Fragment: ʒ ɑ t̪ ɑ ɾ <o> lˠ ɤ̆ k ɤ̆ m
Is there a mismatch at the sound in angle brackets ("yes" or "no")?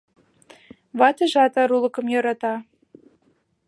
yes